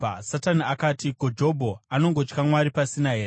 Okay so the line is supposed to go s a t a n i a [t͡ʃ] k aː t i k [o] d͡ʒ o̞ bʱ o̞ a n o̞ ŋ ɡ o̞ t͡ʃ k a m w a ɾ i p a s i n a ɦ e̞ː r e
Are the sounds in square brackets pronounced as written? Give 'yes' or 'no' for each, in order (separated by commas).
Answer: no, yes